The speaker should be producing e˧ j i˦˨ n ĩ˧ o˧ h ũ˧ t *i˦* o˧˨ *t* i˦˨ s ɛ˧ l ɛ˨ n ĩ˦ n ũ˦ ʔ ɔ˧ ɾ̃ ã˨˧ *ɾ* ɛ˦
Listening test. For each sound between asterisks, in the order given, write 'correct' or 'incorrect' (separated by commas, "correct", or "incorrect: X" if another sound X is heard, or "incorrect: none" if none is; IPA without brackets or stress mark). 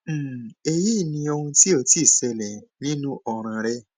correct, correct, correct